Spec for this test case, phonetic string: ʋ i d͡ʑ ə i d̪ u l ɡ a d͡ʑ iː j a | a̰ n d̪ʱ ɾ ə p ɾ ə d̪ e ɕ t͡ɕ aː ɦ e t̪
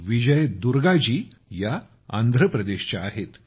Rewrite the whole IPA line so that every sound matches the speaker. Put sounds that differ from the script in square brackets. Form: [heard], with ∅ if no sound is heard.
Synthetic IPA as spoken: ʋ i d͡ʑ ə [j] d̪ u [ɾ] ɡ a d͡ʑ iː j a | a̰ n d̪ʱ ɾ ə p ɾ ə d̪ e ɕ t͡ɕ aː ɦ e t̪